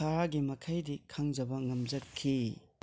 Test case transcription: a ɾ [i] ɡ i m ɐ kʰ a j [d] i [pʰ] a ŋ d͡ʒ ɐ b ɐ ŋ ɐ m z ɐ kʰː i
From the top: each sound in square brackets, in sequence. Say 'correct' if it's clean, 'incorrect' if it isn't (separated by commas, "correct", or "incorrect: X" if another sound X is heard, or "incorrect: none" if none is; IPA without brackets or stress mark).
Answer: incorrect: a, correct, incorrect: kʰ